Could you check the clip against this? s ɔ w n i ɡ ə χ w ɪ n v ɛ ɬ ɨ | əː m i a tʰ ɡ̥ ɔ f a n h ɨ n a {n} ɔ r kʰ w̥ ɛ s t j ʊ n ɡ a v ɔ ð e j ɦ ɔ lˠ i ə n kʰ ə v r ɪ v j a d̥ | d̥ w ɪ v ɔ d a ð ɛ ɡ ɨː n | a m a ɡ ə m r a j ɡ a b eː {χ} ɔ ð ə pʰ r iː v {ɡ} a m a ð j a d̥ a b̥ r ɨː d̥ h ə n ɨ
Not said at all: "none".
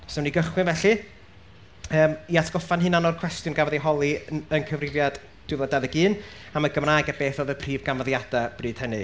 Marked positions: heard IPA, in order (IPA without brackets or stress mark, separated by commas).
n, θ, ɡ